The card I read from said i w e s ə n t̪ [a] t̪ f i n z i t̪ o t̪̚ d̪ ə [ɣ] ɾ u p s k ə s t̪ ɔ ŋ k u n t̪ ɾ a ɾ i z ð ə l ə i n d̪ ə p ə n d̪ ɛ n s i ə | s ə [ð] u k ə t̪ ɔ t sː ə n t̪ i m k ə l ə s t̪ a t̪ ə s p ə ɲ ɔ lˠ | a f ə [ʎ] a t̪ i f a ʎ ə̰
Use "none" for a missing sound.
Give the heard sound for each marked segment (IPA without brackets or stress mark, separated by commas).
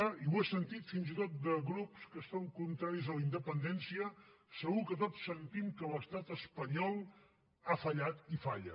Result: i, ɣ, ɣ, ʎ